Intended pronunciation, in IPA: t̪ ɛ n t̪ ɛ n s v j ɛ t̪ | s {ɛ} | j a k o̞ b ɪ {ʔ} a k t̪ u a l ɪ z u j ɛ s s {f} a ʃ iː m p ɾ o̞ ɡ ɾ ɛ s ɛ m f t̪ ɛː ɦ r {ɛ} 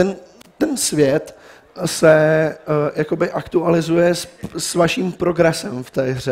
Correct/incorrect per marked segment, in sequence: correct, correct, incorrect: v, correct

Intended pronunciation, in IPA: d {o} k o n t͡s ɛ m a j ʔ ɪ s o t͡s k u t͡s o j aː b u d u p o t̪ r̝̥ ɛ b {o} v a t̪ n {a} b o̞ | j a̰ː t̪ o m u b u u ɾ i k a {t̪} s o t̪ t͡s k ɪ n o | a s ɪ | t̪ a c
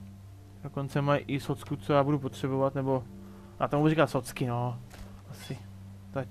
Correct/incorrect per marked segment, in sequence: correct, correct, incorrect: ɛ, correct

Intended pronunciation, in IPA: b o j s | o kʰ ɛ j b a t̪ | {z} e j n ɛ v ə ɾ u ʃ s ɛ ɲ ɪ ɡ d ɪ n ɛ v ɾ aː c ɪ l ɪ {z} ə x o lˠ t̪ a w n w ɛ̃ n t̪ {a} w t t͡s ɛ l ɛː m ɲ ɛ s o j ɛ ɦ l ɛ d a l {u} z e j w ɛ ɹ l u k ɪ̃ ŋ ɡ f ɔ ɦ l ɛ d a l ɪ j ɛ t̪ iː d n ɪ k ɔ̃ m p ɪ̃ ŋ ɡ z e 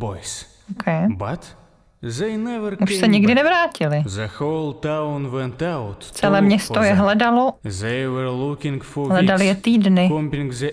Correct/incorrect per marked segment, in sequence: correct, correct, correct, incorrect: o

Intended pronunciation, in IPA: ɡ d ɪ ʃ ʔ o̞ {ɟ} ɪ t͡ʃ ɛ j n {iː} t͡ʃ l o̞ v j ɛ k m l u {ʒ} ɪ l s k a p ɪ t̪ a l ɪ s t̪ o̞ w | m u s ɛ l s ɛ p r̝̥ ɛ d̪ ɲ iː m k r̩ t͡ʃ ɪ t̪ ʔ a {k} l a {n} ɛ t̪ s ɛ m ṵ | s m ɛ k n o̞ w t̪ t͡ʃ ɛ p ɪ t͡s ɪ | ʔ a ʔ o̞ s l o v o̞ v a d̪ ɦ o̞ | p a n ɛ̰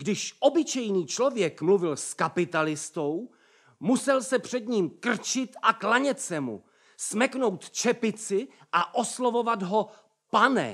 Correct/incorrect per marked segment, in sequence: incorrect: b, correct, incorrect: v, correct, incorrect: ɲ

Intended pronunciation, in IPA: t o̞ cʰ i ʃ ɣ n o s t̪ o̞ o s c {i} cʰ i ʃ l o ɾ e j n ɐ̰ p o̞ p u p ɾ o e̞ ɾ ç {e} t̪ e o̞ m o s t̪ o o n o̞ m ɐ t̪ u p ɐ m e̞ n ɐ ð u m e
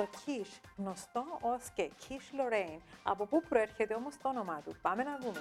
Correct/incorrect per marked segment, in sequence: incorrect: e, correct

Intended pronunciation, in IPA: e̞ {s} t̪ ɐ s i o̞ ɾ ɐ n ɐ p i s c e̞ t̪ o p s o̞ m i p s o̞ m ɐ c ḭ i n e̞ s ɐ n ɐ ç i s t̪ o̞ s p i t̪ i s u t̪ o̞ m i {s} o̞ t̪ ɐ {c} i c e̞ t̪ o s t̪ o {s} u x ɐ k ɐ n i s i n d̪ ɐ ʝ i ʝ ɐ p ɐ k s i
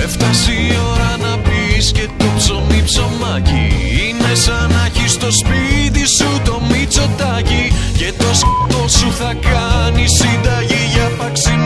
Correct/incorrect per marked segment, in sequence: incorrect: f, incorrect: t͡s, correct, correct

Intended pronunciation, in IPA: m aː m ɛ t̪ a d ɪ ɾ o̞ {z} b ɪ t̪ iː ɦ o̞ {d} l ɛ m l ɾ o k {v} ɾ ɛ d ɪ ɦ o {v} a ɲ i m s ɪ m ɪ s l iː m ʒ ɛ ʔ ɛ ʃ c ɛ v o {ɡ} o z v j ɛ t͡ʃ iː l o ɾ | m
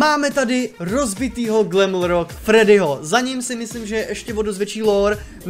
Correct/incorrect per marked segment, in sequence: correct, incorrect: ɡ, incorrect: f, incorrect: z, incorrect: d

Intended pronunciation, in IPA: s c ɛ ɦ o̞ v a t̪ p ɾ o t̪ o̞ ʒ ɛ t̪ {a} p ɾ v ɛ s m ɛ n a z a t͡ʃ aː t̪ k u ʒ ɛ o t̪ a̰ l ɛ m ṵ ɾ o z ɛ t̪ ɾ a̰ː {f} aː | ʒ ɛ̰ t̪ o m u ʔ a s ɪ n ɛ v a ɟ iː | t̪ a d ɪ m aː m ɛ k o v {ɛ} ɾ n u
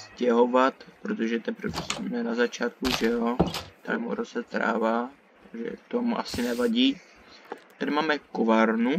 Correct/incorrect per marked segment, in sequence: incorrect: ɛ, incorrect: v, incorrect: a

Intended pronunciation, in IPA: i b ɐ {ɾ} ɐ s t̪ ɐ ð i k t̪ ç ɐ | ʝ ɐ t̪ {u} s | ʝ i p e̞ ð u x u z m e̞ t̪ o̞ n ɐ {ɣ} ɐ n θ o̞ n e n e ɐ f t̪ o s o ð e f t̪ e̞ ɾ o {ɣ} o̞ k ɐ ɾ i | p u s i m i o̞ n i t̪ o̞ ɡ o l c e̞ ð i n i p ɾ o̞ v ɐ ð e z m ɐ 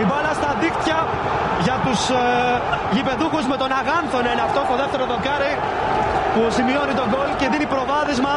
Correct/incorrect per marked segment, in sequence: incorrect: l, correct, correct, incorrect: ð

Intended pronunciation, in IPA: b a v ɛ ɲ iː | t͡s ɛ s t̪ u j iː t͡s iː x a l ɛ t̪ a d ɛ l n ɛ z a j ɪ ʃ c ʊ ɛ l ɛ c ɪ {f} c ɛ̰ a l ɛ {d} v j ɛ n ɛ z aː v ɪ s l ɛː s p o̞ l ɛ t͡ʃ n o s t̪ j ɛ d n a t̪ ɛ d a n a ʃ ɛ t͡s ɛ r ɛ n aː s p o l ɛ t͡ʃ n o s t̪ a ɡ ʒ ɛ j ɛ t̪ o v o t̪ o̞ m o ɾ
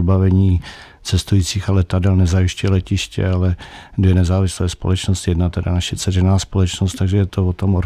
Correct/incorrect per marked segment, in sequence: incorrect: ʃ, correct

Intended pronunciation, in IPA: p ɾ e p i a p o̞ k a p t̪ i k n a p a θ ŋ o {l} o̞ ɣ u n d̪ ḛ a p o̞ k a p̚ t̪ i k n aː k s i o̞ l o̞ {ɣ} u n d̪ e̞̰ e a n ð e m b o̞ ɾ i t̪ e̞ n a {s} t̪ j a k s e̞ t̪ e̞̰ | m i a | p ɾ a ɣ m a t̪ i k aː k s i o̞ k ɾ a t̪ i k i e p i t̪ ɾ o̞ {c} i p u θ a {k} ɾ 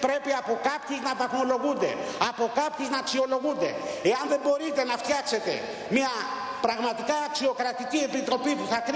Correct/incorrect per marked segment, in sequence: correct, correct, incorrect: f, incorrect: p, correct

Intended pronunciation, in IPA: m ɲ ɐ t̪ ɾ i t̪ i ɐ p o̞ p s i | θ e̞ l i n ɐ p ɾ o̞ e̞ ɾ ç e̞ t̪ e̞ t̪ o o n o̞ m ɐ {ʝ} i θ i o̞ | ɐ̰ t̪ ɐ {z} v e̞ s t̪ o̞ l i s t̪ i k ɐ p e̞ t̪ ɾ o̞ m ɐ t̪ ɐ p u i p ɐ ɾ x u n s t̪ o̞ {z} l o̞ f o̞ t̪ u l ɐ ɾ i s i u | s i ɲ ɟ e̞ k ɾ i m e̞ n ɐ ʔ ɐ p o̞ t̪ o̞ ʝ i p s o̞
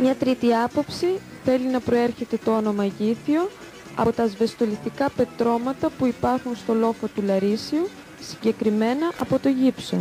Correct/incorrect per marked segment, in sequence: correct, correct, incorrect: none

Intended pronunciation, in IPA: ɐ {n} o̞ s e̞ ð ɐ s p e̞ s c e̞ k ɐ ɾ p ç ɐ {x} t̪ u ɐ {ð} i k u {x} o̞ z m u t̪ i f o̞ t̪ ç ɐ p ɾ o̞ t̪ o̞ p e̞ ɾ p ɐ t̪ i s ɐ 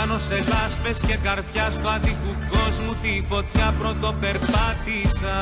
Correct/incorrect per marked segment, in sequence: correct, incorrect: s, correct, incorrect: k

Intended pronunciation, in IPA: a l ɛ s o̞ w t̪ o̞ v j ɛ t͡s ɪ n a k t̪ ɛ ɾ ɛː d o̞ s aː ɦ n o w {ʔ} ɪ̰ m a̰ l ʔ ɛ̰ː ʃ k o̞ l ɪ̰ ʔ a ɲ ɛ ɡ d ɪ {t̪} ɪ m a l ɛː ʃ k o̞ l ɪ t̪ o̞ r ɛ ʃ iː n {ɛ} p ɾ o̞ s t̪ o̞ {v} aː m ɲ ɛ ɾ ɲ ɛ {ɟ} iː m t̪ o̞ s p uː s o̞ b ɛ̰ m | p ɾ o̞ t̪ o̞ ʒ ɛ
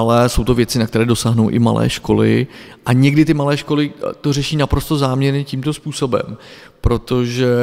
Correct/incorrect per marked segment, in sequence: correct, correct, incorrect: a, incorrect: z, incorrect: c

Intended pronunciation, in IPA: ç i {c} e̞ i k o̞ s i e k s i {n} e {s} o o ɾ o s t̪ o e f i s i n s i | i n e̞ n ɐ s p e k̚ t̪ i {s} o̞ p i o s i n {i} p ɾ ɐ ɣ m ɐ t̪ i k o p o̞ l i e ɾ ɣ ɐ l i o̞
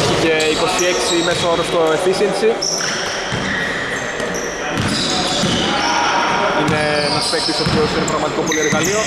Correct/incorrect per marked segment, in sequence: correct, incorrect: m, correct, correct, incorrect: e

